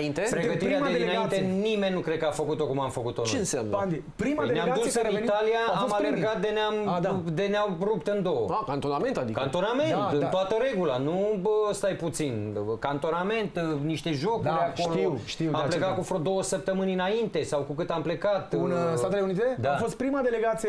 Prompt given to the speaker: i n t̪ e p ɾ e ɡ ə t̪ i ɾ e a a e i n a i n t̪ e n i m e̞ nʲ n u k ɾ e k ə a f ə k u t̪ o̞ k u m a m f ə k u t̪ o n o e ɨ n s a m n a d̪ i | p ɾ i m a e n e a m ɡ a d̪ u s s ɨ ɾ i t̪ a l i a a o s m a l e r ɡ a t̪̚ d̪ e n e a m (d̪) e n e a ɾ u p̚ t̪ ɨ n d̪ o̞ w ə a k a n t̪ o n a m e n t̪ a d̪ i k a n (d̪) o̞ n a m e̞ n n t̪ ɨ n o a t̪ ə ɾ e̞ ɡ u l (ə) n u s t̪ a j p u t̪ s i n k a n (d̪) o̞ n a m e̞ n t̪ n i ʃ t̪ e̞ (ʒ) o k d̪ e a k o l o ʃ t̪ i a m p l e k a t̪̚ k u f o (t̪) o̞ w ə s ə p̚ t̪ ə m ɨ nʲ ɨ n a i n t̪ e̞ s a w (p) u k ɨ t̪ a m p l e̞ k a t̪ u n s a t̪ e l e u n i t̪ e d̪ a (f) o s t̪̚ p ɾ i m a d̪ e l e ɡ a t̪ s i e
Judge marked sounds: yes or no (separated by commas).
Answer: yes, no, no, no, yes, no, no, yes